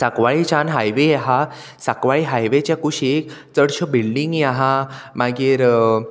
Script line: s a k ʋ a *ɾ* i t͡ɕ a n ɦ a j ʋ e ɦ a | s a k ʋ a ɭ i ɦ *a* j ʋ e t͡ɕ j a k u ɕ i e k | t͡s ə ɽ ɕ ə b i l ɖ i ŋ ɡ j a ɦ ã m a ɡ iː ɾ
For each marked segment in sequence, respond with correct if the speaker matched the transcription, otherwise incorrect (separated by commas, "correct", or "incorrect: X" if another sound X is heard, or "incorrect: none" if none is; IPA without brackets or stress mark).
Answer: incorrect: ɭ, correct